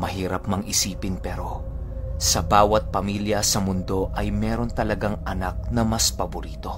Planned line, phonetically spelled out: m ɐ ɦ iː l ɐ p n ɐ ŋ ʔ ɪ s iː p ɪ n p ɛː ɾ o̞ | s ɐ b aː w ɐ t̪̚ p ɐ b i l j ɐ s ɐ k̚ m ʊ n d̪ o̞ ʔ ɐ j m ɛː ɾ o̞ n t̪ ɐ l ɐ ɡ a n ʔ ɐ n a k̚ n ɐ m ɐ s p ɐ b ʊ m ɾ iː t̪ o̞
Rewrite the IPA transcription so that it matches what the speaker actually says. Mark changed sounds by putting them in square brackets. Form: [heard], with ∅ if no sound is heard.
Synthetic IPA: m ɐ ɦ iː [ɾ] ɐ p [m] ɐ ŋ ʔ ɪ s iː p ɪ n p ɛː ɾ o̞ | s ɐ b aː w ɐ t̪̚ p ɐ [m] i l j ɐ s ɐ [∅] m ʊ n d̪ o̞ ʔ ɐ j m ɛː ɾ o̞ n t̪ ɐ l ɐ ɡ a [ŋ] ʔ ɐ n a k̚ n ɐ m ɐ s p ɐ b ʊ [∅] ɾ iː t̪ o̞